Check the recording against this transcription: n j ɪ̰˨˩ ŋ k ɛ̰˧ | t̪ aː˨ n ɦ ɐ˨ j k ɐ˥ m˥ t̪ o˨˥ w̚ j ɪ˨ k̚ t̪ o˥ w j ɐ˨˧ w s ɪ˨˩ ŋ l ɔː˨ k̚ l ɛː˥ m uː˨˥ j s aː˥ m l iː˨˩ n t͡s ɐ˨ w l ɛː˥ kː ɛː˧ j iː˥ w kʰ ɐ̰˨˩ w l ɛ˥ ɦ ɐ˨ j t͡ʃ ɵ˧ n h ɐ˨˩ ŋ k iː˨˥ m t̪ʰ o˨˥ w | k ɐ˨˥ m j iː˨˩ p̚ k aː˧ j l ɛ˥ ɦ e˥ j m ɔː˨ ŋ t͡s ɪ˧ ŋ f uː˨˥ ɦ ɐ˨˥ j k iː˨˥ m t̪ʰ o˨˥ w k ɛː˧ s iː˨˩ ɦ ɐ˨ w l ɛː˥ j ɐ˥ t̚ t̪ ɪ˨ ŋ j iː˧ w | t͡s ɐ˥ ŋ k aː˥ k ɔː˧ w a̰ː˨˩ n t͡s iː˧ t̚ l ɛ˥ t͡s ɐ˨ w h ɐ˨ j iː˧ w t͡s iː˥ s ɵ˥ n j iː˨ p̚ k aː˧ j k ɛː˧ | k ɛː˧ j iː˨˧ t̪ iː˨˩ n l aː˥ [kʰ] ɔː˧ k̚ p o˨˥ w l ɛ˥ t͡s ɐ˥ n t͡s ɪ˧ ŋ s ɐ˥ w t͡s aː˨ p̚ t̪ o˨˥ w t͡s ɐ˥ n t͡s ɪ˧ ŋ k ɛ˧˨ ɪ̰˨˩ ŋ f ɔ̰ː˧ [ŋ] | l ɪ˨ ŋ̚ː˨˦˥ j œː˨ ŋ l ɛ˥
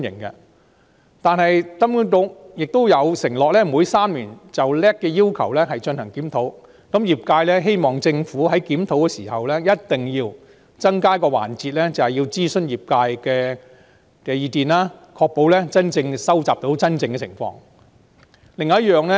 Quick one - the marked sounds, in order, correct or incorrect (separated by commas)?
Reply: correct, correct